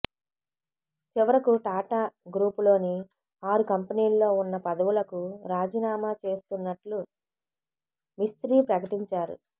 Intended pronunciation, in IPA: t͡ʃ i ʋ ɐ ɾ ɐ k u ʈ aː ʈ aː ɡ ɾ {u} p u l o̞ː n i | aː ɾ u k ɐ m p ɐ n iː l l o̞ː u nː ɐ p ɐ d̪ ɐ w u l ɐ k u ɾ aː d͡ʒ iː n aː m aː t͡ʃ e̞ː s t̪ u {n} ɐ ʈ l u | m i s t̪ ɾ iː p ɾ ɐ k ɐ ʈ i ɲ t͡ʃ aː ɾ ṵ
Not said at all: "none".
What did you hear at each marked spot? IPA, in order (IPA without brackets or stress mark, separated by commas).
uː, nː